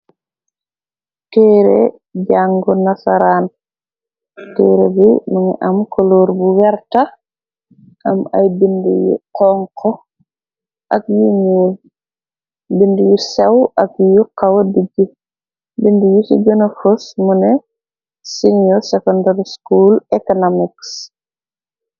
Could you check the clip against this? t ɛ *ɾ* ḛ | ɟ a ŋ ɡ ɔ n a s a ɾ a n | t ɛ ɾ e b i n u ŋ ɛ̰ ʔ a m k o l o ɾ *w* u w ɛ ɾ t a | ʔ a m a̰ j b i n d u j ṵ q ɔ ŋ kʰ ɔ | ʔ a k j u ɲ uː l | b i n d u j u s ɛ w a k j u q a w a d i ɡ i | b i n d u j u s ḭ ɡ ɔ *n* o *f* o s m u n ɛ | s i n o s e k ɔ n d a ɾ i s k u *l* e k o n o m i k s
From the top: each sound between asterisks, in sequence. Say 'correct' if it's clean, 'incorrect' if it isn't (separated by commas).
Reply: correct, incorrect, correct, correct, correct